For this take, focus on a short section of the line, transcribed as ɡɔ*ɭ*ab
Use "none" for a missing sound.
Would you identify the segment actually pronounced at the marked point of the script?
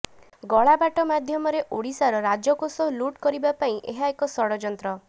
ɭ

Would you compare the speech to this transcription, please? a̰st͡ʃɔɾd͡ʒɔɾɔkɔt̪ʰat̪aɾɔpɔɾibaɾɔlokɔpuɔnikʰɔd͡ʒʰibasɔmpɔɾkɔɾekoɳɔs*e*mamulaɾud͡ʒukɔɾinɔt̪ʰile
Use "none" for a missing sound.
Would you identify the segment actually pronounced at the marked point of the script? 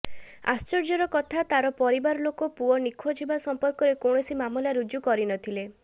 i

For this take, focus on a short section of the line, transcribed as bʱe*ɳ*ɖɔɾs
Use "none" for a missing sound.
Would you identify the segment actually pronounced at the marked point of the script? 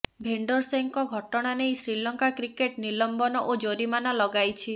ɳ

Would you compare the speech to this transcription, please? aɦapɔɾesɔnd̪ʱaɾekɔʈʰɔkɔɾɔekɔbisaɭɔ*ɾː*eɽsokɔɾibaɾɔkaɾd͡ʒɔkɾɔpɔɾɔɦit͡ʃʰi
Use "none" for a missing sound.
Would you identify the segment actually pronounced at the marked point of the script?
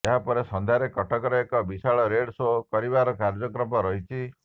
ɾ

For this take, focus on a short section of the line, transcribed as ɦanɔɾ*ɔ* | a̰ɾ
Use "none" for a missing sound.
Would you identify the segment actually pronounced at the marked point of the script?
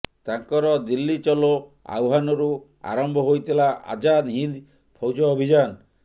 u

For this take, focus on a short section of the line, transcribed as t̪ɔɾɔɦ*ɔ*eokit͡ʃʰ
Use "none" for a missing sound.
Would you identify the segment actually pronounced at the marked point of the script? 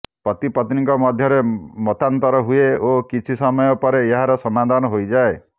u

